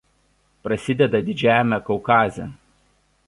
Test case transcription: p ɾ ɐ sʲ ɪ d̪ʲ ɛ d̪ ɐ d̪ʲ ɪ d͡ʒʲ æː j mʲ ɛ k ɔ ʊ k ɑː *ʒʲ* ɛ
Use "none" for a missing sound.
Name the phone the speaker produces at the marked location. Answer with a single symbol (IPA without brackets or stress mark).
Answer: zʲ